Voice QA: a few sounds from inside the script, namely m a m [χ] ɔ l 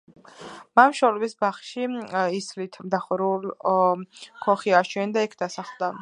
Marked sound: incorrect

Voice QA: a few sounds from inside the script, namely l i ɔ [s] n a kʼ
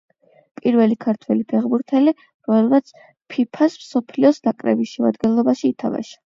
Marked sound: correct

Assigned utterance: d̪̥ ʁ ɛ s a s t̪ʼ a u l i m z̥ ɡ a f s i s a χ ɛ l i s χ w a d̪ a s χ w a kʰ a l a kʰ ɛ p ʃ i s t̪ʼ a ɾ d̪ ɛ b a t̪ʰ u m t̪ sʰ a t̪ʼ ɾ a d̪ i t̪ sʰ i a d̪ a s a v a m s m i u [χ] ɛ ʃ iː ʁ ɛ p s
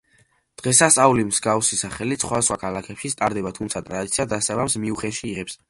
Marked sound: correct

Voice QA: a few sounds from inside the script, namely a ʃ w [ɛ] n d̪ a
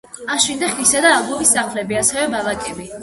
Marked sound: incorrect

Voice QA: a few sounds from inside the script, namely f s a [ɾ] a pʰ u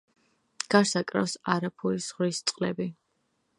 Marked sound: correct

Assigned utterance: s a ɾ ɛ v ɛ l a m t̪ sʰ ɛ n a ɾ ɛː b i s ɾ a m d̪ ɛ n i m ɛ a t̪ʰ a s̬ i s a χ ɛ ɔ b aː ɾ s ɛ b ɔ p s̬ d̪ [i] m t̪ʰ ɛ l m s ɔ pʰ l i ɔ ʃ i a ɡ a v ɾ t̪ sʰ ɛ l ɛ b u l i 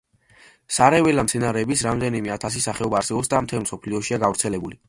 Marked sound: incorrect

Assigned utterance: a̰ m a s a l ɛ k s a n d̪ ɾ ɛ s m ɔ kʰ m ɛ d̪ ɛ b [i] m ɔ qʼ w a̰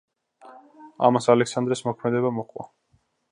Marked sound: incorrect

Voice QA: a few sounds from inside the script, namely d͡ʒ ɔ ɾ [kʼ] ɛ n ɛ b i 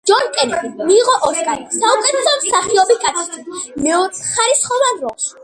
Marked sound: correct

